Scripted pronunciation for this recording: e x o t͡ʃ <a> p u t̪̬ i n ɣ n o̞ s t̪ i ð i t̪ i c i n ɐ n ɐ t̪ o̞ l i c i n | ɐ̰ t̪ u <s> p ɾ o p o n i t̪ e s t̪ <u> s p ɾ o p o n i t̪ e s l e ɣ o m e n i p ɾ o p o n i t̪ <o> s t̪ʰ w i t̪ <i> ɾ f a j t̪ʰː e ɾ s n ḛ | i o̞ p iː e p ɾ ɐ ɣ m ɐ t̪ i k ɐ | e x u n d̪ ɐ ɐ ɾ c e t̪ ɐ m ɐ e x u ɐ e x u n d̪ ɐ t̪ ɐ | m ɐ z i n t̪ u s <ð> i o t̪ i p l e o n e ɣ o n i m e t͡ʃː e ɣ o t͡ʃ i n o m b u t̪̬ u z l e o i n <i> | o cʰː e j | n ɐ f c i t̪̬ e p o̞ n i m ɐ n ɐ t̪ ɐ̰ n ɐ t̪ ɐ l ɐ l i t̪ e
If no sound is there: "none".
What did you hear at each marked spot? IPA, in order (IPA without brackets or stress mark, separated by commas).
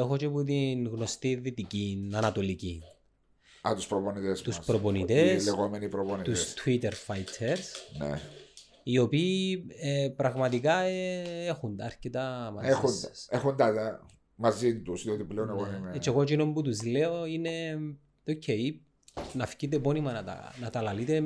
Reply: e, s, u, u, e, ð, e